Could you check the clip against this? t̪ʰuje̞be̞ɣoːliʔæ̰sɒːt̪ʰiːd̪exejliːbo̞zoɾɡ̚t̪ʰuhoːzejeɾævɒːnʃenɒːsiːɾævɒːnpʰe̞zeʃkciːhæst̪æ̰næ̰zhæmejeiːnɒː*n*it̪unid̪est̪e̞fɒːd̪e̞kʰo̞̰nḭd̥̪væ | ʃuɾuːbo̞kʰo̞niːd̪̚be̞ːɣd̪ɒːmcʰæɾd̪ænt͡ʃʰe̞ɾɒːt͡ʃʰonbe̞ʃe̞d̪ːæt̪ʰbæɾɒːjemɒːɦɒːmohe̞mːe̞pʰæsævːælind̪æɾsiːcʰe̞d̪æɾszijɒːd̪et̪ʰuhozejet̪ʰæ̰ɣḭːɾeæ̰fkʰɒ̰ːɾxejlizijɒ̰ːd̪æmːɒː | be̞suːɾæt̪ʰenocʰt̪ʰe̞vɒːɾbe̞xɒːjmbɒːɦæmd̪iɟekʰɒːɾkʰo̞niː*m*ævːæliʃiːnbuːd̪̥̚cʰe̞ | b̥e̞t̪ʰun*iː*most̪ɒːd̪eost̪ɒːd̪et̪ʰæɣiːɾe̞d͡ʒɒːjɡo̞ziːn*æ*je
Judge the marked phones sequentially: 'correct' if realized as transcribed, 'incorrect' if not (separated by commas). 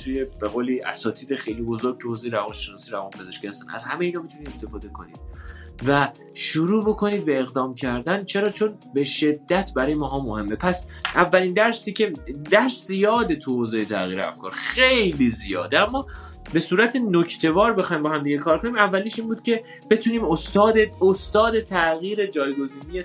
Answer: incorrect, correct, correct, incorrect